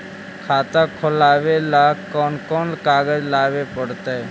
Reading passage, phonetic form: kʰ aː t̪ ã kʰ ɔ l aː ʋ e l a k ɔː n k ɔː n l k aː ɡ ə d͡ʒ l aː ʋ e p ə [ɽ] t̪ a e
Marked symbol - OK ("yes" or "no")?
yes